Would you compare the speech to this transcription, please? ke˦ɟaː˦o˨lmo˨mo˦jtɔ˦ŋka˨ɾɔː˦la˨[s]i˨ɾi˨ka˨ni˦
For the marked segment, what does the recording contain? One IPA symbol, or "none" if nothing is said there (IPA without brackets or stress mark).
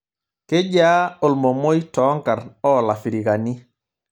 f